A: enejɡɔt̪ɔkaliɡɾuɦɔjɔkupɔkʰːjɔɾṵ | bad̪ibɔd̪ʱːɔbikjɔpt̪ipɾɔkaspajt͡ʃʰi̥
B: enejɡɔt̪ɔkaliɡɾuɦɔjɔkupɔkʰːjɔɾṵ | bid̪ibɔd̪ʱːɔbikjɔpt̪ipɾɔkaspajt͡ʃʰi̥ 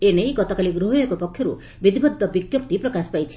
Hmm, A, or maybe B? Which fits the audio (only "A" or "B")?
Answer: B